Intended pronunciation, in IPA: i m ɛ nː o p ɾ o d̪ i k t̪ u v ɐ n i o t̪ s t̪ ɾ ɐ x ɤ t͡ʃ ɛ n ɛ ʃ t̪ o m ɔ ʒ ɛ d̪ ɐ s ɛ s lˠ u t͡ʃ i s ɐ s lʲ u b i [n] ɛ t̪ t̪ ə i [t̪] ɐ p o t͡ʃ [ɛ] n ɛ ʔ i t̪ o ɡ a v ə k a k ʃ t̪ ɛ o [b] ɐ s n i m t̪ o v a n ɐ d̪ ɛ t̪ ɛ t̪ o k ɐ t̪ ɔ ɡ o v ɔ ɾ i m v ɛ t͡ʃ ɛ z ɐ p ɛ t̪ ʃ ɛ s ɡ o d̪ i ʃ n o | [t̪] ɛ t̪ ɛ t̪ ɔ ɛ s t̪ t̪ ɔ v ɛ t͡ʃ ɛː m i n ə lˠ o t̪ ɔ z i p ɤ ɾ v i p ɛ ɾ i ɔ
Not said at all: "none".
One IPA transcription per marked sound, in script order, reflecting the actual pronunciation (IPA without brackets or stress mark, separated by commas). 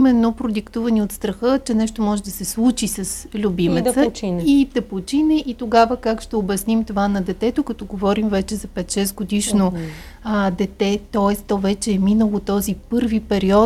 m, t̪, i, b, d̪